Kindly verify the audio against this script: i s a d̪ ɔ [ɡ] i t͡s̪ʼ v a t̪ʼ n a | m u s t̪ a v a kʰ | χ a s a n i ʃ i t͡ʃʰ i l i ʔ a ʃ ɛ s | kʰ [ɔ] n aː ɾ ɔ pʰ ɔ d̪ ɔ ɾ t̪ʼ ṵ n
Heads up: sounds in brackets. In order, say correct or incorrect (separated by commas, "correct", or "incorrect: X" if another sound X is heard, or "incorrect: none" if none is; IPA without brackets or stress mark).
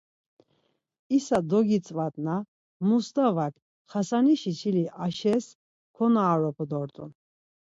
correct, correct